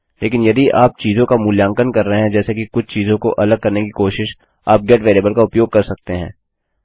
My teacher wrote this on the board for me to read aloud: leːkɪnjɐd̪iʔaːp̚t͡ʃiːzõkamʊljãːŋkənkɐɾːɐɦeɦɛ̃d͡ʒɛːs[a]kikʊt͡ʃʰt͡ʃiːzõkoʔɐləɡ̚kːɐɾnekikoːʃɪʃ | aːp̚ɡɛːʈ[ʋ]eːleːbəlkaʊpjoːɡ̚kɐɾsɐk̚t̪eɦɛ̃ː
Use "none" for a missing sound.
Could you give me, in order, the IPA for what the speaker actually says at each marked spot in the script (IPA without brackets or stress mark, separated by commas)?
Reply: e, ʋ